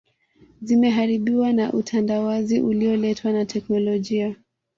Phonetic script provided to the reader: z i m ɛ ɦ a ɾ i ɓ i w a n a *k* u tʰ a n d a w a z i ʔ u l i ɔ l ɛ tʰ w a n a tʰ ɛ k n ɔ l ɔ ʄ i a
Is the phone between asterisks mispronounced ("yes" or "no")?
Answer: yes